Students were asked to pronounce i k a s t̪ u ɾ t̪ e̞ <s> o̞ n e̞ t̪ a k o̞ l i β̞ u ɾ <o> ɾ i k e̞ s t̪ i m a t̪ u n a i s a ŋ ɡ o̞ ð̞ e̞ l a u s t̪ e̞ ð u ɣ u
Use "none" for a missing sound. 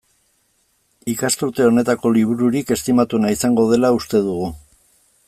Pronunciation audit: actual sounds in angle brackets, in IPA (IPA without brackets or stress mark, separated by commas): none, u